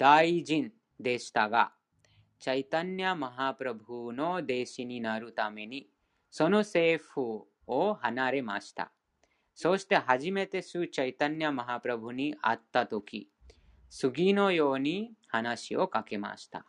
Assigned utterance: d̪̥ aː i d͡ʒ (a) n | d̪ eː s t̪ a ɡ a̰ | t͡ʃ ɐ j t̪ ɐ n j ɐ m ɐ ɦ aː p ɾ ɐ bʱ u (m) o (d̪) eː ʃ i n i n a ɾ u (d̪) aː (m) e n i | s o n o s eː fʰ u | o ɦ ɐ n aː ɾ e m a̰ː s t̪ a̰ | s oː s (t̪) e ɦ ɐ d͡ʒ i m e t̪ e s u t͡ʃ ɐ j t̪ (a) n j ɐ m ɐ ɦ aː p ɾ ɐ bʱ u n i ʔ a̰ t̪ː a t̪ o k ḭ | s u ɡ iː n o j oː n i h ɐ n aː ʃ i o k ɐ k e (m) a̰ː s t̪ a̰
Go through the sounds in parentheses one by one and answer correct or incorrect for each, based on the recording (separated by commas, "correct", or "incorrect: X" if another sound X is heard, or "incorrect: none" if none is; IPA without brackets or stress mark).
incorrect: i, incorrect: n, correct, incorrect: t̪, correct, correct, incorrect: ɐ, correct